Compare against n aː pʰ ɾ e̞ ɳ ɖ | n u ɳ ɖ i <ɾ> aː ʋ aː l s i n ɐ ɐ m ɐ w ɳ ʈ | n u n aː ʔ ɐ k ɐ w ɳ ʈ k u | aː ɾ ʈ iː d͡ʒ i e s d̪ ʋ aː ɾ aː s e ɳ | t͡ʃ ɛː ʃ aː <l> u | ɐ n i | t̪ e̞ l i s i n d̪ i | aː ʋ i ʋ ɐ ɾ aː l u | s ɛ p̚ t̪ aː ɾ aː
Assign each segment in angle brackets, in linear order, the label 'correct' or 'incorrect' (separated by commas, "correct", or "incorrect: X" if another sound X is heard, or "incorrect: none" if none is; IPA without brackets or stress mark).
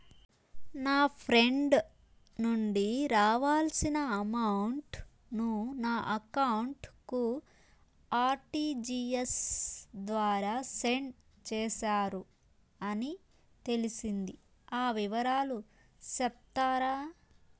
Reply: correct, incorrect: ɾ